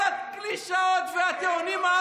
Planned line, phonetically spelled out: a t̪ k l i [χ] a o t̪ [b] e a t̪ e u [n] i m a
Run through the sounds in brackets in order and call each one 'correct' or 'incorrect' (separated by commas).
incorrect, incorrect, correct